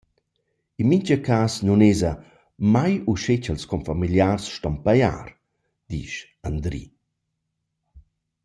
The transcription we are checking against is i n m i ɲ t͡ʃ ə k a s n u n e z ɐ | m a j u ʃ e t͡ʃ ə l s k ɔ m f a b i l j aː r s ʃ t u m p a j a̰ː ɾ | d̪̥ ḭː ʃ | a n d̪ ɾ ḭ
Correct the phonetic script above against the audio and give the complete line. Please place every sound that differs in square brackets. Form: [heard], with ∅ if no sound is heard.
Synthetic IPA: i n m i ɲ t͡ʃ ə k a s n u n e z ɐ | m a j u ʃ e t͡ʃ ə l s k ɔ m f a [m] i l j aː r s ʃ t [ɔ] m p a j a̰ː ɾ | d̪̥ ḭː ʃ | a n d̪ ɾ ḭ